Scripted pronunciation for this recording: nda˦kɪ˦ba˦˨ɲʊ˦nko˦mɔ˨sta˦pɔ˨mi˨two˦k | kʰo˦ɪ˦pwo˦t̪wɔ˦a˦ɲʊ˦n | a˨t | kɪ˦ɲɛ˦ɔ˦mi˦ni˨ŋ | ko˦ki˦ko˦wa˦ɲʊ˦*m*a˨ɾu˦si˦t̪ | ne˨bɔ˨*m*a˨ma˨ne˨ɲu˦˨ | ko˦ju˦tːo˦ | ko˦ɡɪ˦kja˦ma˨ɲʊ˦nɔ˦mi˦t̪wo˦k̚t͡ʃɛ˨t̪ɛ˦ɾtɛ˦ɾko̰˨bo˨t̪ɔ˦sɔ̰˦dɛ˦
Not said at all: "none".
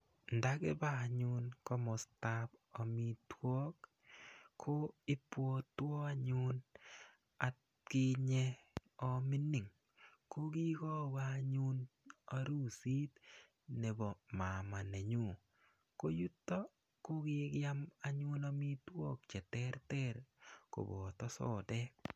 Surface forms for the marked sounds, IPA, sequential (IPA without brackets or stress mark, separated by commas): n, m